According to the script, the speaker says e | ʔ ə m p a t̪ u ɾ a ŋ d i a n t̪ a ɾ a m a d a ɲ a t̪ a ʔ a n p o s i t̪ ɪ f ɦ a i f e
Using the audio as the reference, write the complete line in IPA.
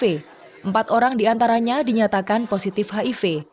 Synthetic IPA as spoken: e | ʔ ə m p a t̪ o ɾ a ŋ d i a n t̪ a ɾ a ɲ a d i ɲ a t̪ a k a n p o s i t̪ ɪ f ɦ a i f e